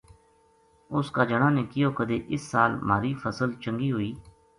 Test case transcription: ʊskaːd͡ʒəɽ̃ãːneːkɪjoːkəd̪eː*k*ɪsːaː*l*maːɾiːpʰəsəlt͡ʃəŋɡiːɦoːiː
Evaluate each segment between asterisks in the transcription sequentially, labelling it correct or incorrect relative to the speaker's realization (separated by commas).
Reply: incorrect, correct